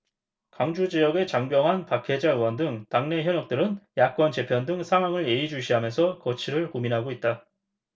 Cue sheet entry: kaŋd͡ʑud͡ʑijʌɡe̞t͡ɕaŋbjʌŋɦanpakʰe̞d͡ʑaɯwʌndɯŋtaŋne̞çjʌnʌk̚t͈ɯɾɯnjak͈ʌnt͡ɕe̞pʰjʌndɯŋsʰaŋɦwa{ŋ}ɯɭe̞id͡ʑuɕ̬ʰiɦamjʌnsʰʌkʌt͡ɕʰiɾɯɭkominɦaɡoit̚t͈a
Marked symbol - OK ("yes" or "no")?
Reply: yes